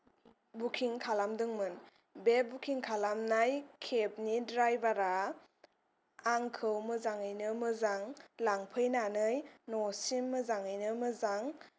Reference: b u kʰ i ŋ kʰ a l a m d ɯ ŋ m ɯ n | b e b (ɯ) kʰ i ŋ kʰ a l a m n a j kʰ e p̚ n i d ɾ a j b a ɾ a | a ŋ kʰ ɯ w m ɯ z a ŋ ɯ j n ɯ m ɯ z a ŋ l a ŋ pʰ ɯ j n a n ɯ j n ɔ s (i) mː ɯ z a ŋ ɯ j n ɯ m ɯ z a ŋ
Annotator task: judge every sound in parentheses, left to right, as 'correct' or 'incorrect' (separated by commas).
incorrect, correct